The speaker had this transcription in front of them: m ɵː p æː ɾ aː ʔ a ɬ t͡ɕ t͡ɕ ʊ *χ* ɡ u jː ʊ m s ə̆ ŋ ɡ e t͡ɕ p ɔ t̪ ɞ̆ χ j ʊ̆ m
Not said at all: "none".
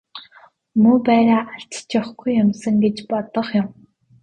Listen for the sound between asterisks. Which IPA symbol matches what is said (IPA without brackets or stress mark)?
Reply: χ